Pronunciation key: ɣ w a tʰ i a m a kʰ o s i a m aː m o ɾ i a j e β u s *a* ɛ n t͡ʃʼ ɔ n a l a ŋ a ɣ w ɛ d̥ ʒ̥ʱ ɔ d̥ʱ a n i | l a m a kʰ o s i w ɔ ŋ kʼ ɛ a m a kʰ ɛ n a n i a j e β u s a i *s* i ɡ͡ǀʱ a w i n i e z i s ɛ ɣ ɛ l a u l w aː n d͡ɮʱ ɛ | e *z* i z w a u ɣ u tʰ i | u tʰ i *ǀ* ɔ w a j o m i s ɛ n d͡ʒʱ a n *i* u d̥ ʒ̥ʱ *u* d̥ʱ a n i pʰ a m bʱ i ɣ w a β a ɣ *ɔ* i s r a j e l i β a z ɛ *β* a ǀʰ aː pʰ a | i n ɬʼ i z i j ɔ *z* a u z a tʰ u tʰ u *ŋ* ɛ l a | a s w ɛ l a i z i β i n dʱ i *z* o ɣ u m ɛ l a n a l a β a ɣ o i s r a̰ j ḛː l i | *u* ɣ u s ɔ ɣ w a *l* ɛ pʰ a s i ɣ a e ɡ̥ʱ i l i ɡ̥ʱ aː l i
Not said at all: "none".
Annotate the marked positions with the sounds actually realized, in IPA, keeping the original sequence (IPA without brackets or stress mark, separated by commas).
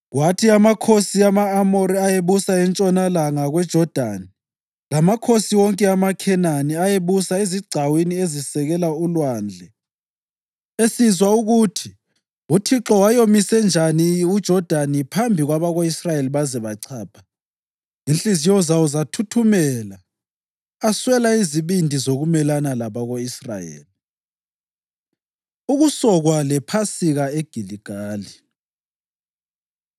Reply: a, z, s, ǁ, i, ɔ, o, β, z, m, z, u, l